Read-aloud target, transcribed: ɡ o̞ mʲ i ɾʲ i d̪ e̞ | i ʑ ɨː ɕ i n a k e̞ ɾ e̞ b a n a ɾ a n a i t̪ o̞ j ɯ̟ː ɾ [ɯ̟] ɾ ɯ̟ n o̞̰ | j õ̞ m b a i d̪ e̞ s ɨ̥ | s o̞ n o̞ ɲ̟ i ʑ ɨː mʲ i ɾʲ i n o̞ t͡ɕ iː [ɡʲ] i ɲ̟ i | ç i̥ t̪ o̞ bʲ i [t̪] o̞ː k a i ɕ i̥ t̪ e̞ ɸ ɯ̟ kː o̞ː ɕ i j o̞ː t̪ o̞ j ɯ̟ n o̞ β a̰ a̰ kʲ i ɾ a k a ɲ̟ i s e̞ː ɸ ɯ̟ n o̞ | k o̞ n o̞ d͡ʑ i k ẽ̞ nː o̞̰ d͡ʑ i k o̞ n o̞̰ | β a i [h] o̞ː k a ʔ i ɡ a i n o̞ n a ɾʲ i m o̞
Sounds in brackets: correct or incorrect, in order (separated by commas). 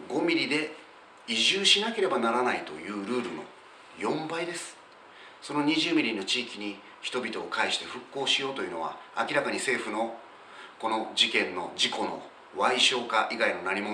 incorrect, incorrect, correct, incorrect